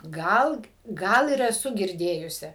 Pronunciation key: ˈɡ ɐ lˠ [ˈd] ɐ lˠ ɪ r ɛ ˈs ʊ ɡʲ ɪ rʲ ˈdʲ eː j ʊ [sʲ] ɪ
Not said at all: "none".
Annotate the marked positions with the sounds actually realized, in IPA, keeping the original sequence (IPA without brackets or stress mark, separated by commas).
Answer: ɡ, sʲ